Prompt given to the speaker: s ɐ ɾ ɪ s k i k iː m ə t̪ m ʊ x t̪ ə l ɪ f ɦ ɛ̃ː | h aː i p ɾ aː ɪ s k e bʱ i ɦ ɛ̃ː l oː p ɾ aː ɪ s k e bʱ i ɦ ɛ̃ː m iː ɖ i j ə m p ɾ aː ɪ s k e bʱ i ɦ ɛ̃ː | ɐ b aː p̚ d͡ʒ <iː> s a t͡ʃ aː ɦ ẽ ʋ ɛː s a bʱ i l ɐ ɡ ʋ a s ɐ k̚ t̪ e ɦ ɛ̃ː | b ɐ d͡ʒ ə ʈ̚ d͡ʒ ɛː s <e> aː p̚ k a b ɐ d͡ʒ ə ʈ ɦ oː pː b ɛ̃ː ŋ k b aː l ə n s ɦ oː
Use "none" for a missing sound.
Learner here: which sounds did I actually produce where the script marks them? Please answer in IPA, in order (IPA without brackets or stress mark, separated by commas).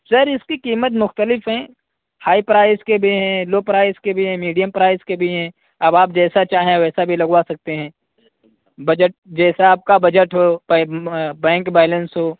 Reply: ɛː, a